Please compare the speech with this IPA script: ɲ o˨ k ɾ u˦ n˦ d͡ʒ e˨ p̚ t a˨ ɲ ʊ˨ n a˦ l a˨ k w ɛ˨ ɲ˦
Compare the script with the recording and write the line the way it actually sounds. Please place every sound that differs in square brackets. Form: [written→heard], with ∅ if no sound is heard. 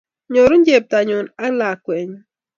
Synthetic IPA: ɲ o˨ [k→∅] ɾ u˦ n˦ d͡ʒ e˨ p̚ t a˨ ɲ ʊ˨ n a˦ l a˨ k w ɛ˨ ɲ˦